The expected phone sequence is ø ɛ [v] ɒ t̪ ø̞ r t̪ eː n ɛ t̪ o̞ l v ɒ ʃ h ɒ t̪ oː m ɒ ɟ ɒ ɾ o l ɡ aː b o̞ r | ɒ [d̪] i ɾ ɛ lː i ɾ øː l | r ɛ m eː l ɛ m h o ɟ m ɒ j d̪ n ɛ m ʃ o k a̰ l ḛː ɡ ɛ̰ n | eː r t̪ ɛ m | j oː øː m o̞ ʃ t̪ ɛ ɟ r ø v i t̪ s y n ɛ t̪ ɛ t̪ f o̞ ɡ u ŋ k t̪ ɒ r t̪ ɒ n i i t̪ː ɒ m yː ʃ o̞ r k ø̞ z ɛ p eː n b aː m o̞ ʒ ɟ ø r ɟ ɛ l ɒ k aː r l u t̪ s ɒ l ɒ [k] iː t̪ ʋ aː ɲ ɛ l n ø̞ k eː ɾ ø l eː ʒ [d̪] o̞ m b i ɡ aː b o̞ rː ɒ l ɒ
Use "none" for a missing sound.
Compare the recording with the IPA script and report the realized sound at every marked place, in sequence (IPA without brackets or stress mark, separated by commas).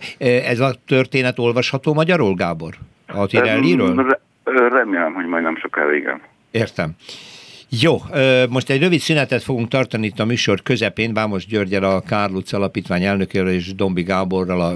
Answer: z, t̪, p, d̪